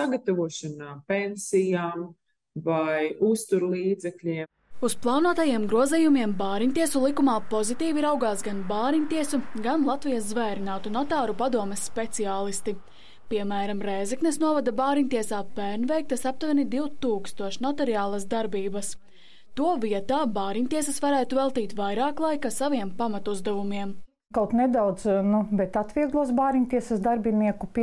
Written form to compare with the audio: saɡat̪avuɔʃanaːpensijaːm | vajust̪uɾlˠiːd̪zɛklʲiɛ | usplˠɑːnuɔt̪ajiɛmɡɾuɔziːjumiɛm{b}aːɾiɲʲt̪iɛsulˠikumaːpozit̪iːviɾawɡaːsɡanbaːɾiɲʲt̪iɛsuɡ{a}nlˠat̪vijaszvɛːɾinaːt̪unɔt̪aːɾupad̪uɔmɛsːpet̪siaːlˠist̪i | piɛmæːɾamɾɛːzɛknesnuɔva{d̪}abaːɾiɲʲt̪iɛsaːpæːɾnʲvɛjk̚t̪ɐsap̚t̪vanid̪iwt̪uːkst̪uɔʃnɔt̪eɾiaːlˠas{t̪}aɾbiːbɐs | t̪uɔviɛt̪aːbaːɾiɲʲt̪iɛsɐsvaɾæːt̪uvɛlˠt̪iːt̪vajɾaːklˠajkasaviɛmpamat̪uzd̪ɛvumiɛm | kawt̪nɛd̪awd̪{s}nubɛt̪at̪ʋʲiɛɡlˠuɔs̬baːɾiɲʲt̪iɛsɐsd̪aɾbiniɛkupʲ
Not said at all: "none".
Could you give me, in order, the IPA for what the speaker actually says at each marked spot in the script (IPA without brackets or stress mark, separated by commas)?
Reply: b, a, d̪, d̪, z